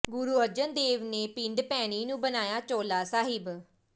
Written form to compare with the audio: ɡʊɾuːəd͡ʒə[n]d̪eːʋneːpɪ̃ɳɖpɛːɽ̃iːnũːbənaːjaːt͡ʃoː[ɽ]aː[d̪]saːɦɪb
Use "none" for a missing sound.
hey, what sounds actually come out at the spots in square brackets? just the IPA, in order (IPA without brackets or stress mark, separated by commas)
n, l, none